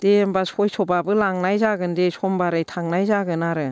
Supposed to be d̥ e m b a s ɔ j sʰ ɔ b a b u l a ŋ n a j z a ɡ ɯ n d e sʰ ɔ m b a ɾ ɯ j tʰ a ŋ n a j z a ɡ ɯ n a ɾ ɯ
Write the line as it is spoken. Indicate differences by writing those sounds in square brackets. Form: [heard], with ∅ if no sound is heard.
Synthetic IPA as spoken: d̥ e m b a s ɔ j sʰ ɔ b a b [ɯ] l a ŋ n a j z a ɡ ɯ n d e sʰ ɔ m b a ɾ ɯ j tʰ a ŋ n a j z a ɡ ɯ n a ɾ ɯ